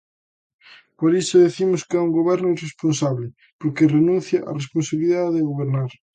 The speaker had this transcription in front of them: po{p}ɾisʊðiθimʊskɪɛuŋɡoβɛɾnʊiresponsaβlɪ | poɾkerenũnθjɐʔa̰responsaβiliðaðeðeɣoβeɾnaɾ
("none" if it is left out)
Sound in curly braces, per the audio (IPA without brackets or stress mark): none